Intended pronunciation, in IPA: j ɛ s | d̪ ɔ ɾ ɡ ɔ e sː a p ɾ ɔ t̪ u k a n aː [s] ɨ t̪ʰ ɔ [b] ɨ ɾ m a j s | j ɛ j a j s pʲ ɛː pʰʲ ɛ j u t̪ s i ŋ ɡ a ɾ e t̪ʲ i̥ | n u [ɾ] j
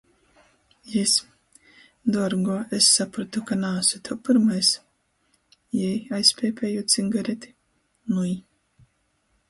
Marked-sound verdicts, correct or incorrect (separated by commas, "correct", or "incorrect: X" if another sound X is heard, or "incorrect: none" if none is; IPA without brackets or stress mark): correct, incorrect: p, incorrect: none